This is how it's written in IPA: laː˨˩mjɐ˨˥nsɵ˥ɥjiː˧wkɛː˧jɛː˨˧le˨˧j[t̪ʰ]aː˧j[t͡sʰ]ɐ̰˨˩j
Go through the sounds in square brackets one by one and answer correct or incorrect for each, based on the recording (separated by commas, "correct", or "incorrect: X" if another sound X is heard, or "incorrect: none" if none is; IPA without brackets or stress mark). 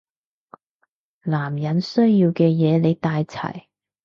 incorrect: t̪, correct